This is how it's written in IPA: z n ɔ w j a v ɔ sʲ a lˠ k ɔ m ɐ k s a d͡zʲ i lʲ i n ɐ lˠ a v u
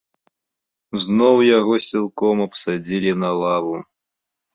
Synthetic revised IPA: z n ɔ w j a ɣ ɔ sʲ i lˠ k ɔ m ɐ p s a d͡zʲ i lʲ i n ɐ lˠ a v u

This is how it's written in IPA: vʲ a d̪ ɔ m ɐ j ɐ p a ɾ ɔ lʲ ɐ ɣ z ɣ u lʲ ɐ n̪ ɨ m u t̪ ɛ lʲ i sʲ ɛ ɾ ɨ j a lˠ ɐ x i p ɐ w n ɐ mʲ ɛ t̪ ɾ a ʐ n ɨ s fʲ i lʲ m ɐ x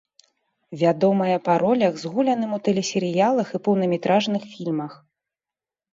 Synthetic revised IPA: vʲ a d̪ ɔ m ɐ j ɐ p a ɾ ɔ lʲ ɐ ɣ z ɣ u lʲ ɐ n̪ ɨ m u t̪ ɛ lʲ ɛ sʲ ɛ ɾ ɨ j a lˠ ɐ x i p ɐ w n ɐ mʲ ɛ t̪ ɾ a ʐ n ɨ x fʲ i lʲ m ɐ x

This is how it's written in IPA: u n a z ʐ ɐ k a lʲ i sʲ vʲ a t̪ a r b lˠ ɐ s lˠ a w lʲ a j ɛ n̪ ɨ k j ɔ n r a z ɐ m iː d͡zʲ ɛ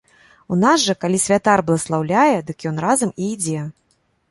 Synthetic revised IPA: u n a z ʐ ɐ k a lʲ i sʲ vʲ a t̪ a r b lˠ ɐ s lˠ a w lʲ a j ɛ d̪ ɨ k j ɔ n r a z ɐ m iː d͡zʲ ɛ

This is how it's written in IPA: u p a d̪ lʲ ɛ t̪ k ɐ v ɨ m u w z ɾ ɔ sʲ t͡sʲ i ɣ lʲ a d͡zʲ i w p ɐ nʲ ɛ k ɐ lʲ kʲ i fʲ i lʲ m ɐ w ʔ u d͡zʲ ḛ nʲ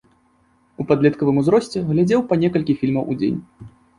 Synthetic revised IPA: u p a d̪ lʲ ɛ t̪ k ɐ v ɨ m u z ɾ ɔ sʲ t͡sʲ ɛ ɣ lʲ a d͡zʲ ɛ w p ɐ nʲ ɛ k ɐ lʲ kʲ i fʲ i lʲ m ɐ w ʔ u d͡zʲ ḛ nʲ

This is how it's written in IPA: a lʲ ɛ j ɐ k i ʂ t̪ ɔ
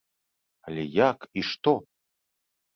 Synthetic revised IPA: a lʲ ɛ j a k i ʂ t̪ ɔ

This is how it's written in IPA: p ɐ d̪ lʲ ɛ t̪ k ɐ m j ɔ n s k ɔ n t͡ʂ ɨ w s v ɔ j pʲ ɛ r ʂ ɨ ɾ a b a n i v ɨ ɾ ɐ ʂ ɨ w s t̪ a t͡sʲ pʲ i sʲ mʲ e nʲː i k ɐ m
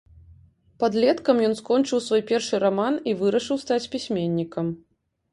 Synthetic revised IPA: p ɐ d̪ lʲ ɛ t̪ k ɐ m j ɔ n s k ɔ n t͡ʂ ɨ w s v ɔ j pʲ ɛ r ʂ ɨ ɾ a m a n i v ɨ ɾ ɐ ʂ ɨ w s t̪ a t͡sʲ pʲ i sʲ mʲ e nʲː i k ɐ m

